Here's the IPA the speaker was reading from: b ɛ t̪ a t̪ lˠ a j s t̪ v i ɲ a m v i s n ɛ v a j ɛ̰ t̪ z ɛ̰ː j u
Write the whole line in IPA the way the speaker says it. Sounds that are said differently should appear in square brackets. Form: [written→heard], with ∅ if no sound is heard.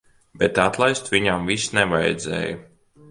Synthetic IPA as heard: b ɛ t̪ a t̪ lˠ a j s t̪ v i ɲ a m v i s n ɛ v a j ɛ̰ [t̪→d̪] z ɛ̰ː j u

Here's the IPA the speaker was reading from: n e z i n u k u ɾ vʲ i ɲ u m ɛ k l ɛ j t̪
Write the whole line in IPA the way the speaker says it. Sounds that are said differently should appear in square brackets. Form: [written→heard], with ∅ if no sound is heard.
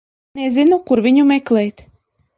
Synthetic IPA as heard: n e z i n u k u ɾ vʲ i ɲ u m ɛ k l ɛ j t̪

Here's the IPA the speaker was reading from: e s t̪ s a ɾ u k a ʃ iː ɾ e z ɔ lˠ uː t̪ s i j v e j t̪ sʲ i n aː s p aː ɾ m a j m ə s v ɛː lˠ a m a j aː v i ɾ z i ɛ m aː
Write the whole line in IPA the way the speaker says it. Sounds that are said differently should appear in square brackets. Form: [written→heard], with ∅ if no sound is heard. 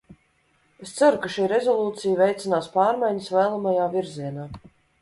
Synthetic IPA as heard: e s t̪ s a ɾ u k a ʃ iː ɾ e z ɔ lˠ uː t̪ s i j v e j t̪ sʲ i n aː s p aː ɾ m a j [m→ɲ] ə s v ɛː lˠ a m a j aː v i ɾ z i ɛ [m→n] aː

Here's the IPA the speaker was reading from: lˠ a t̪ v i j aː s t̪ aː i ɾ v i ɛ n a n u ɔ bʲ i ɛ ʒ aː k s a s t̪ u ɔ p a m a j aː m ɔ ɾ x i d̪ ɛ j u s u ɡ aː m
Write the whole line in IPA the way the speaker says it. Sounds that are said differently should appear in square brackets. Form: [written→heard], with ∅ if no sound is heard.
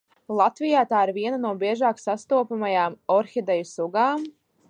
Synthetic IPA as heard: lˠ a t̪ v i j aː [s→∅] t̪ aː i ɾ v i ɛ n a n u ɔ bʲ i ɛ ʒ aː k s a s t̪ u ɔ p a m a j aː m ɔ ɾ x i d̪ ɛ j u s u ɡ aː m

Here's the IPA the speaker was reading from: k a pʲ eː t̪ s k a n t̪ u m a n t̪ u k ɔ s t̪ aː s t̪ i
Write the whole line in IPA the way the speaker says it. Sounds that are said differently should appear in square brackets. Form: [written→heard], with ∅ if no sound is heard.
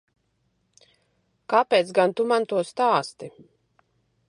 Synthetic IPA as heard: k a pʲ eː t̪ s [k→ɡ] a n t̪ u m a n t̪ u [k→∅] ɔ s t̪ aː s t̪ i

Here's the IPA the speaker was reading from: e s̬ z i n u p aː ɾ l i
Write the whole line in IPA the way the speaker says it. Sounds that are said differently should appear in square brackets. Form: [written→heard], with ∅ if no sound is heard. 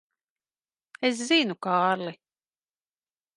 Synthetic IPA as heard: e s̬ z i n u [p→k] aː ɾ l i

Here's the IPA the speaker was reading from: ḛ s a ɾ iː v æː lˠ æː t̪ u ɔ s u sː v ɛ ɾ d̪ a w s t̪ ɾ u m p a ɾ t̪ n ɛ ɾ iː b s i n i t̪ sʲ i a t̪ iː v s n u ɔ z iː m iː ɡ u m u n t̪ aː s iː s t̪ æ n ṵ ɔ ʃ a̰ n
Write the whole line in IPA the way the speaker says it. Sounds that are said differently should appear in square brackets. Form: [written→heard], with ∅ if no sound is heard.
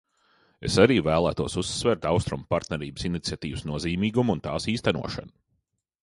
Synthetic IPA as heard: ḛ s a ɾ iː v æː lˠ æː t̪ u ɔ s u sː v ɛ ɾ [d̪→t̪] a w s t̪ ɾ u m p a ɾ t̪ n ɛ ɾ iː b s i n i t̪ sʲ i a t̪ iː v s n u ɔ z iː m iː ɡ u m u n t̪ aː s iː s t̪ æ n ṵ ɔ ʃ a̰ n

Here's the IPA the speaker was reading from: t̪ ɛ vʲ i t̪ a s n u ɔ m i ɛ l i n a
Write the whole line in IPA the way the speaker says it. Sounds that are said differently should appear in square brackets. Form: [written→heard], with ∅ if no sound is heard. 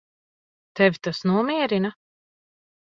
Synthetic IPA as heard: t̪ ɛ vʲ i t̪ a s n u ɔ m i ɛ [l→ɾ] i n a

